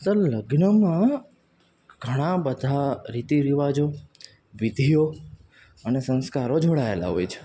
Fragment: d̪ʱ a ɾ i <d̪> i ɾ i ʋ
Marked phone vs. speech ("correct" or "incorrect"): incorrect